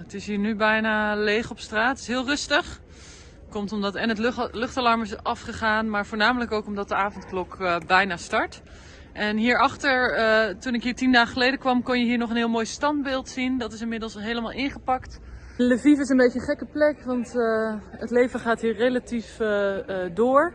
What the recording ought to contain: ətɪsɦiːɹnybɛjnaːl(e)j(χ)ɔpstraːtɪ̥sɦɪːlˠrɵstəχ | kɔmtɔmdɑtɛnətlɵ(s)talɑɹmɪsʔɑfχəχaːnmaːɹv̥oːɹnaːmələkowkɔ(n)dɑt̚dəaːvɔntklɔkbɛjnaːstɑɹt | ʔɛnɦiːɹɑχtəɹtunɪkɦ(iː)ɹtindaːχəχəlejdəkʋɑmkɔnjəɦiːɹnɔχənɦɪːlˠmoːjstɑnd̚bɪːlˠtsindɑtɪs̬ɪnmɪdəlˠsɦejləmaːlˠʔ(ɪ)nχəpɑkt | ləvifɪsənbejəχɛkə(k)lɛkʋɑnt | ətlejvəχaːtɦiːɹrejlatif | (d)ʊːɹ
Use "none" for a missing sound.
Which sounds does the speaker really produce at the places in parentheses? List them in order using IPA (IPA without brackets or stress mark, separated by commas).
e, χ, χ, m, iː, ɪ, p, d